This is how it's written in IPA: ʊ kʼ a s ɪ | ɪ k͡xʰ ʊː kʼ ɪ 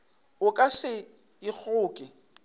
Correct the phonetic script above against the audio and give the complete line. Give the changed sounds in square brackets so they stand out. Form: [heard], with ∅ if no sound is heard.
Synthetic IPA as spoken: ʊ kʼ a s ɪ | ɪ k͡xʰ ʊː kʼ ɪ